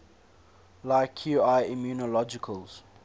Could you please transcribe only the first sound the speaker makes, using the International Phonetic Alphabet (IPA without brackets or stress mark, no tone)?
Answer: l